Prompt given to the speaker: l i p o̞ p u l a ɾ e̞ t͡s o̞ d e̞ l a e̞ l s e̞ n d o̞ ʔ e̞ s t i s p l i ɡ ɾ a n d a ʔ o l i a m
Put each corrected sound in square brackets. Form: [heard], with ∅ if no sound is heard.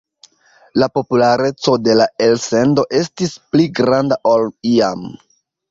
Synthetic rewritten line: l [a] p o̞ p u l a ɾ e̞ t͡s o̞ d e̞ l a e̞ l s e̞ n d o̞ ʔ e̞ s t i s p l i ɡ ɾ a n d a ʔ o l i a m